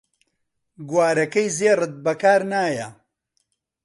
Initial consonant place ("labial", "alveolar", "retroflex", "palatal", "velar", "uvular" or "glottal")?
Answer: velar